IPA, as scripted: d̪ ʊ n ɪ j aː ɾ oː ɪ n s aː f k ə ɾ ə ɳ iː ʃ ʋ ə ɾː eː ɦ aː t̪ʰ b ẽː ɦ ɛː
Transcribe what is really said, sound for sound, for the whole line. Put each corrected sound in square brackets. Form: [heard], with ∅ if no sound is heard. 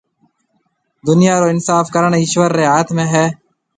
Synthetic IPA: d̪ ʊ n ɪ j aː ɾ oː ɪ n s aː f k ə ɾ ə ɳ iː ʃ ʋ ə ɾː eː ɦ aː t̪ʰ [m] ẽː ɦ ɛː

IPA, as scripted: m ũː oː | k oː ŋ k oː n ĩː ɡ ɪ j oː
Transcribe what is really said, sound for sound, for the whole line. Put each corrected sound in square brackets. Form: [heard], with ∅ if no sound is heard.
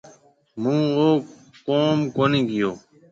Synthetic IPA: m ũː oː | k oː [m] k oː n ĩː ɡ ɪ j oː

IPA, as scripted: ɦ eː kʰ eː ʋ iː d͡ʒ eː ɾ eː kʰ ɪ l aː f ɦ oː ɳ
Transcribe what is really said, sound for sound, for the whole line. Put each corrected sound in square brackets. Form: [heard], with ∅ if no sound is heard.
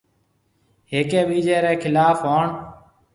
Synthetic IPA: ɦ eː [k] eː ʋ iː d͡ʒ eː ɾ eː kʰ ɪ l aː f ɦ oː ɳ

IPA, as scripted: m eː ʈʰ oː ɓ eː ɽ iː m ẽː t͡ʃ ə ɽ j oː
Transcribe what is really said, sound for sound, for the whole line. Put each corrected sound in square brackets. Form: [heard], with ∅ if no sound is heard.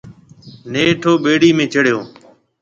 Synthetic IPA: [n] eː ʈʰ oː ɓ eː ɽ iː m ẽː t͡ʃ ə ɽ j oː

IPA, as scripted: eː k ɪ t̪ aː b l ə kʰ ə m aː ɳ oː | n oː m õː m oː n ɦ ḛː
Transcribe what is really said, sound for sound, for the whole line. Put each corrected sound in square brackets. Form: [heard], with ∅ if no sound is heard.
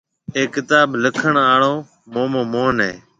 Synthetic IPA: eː k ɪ t̪ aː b l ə kʰ ə [ɳ] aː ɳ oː | [m] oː m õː m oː n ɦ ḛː

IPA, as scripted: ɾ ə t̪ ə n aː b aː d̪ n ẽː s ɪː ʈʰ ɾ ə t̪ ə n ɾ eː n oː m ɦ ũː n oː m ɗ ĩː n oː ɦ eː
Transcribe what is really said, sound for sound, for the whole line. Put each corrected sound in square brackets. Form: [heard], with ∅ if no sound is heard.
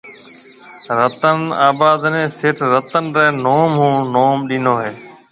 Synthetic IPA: ɾ ə t̪ ə n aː b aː d̪ n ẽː s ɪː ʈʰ ɾ ə t̪ ə n ɾ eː n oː m ɦ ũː n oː m ɗ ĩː n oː ɦ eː

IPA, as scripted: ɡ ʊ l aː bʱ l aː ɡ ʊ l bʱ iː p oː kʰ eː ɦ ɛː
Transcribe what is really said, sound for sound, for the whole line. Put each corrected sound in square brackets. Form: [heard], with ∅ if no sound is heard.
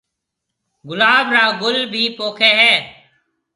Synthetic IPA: ɡ ʊ l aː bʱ [ɾ] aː ɡ ʊ l bʱ iː p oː kʰ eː ɦ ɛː

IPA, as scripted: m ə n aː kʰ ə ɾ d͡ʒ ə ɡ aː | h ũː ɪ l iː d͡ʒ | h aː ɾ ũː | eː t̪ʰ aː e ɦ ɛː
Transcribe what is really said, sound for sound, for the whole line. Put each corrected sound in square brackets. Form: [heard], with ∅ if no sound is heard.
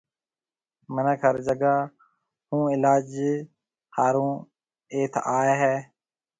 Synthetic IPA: m ə n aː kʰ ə ɾ d͡ʒ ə ɡ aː | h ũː ɪ l [aː] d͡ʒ | h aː ɾ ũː | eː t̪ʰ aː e ɦ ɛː

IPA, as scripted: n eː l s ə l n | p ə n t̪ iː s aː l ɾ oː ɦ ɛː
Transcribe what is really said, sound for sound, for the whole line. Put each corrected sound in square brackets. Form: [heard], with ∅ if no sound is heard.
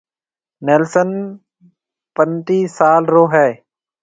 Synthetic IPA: n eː l s ə [∅] n | p ə n t̪ iː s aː l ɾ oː ɦ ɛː

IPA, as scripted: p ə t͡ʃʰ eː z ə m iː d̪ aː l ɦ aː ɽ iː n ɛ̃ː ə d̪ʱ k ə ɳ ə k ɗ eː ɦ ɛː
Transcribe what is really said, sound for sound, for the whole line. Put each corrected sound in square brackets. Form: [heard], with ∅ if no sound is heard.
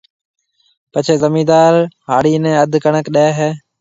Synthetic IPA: p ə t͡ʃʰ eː z ə m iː d̪ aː [ɾ] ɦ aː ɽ iː n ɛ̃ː ə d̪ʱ k ə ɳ ə k ɗ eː ɦ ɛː

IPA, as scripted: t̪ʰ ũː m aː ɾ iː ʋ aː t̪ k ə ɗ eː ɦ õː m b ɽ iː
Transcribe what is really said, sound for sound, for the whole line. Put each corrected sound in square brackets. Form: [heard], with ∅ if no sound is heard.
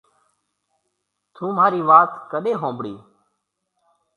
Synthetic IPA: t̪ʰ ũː m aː ɾ iː ʋ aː t̪ k ə ɗ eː ɦ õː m b ɽ iː

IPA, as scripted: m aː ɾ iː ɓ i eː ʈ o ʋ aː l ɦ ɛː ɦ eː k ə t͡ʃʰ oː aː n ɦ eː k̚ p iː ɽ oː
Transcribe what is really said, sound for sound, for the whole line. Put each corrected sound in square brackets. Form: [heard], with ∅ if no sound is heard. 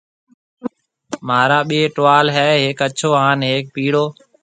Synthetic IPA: m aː ɾ [aː] ɓ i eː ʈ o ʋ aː l ɦ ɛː ɦ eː k ə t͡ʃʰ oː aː n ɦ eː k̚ p iː ɽ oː

